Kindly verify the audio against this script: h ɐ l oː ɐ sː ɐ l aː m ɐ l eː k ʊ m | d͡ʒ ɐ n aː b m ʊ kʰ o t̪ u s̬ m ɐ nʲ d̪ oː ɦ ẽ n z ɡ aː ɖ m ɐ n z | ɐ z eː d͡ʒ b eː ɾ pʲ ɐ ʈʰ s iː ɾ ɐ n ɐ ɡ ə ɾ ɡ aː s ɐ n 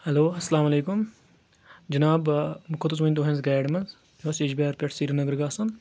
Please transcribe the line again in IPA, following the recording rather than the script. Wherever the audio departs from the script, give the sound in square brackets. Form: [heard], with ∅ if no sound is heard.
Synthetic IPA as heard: h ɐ l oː ɐ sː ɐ l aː m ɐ l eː k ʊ m | d͡ʒ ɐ n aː b m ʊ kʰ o t̪ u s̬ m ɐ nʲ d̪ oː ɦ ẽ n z ɡ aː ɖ m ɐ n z | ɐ [s] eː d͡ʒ b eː ɾ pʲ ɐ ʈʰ s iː ɾ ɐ n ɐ ɡ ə ɾ ɡ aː s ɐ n